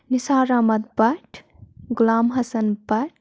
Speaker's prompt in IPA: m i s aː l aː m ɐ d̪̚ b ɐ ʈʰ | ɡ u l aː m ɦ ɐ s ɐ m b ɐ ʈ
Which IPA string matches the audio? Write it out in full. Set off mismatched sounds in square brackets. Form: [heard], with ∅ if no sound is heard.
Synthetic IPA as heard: [n] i s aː [ɾ] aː m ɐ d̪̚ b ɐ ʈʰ | ɡ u l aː m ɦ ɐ s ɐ [n] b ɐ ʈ